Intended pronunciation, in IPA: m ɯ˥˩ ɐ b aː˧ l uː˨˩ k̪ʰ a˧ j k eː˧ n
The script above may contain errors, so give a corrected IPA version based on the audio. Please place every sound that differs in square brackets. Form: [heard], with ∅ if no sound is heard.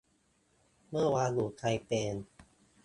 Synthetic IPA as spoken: m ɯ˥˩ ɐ [w] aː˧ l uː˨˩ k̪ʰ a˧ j [p] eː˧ n